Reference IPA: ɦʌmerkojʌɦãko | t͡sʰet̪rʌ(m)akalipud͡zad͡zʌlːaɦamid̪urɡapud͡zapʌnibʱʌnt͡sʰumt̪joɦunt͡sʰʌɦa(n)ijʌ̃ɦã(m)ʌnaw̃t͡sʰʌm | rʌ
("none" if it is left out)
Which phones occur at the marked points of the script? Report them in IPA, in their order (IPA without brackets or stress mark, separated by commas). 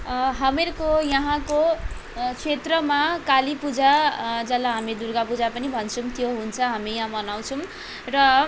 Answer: m, m, m